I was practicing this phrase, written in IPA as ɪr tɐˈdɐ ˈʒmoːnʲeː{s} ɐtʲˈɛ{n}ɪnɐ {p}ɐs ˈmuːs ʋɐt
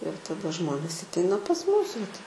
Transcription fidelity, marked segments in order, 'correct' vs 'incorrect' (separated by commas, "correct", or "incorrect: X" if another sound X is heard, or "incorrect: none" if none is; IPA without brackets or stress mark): correct, incorrect: none, correct